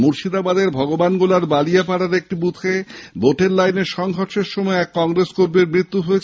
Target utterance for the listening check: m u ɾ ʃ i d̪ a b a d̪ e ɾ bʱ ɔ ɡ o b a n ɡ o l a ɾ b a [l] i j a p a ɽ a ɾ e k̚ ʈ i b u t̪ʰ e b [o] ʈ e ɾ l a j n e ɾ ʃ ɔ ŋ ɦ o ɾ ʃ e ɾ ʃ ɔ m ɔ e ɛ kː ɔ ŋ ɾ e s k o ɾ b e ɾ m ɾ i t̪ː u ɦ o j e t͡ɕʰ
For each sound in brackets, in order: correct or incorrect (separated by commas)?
correct, correct